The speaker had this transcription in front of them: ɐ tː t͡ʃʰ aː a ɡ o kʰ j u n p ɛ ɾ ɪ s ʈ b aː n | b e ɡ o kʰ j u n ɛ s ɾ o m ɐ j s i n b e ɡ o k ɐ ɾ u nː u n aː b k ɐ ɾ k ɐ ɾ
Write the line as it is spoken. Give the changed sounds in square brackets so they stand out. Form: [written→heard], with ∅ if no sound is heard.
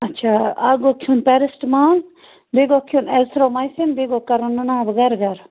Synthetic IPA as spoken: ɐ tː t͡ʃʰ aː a ɡ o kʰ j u n p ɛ ɾ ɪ s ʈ [b→m] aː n | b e ɡ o kʰ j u n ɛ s ɾ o m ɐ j s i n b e ɡ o k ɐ ɾ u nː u n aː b [k→ɡ] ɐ ɾ [k→ɡ] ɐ ɾ